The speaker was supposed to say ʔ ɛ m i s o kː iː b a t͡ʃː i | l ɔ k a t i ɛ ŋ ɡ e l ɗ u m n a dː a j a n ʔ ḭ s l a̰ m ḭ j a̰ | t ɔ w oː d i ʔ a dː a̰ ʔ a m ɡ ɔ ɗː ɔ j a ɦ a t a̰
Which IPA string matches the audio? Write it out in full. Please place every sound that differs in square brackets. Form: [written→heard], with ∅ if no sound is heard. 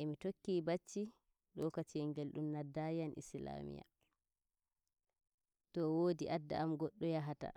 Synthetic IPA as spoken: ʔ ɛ m i [s→t] o kː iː b a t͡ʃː i | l ɔ k a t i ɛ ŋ ɡ e l ɗ u m n a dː a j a n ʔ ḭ s l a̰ m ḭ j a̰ | t ɔ w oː d i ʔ a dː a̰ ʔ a m ɡ ɔ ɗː ɔ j a ɦ a t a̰